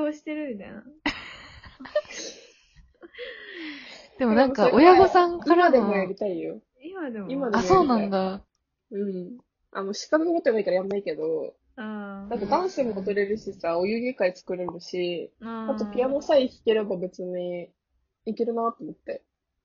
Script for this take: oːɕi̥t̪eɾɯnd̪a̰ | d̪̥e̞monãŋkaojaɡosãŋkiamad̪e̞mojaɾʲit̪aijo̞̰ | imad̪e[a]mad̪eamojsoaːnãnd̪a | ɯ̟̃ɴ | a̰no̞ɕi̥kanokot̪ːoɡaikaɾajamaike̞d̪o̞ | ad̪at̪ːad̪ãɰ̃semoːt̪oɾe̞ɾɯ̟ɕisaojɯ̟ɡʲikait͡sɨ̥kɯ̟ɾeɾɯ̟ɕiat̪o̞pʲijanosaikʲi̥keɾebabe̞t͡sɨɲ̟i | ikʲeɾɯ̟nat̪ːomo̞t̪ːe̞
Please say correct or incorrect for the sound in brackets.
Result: incorrect